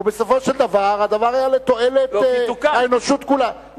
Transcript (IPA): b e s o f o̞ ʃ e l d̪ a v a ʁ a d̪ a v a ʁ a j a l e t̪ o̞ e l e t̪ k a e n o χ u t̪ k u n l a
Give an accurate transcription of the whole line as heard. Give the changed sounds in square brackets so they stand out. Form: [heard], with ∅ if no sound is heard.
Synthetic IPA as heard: b e s o f o̞ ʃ e l d̪ a v a ʁ a d̪ a v a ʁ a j a l e t̪ o̞ e l e t̪ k a e n o [ʃ] u t̪ k u [∅] l a